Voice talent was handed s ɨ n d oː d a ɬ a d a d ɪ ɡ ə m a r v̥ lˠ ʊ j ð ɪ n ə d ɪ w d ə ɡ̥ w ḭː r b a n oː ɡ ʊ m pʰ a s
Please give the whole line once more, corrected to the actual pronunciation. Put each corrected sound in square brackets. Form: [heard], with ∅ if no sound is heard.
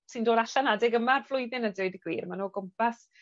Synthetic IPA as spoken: s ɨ n d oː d a ɬ a [n] a d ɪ ɡ ə m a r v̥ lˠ ʊ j ð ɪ n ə d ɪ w d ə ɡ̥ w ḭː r [m] a n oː ɡ ʊ m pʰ a s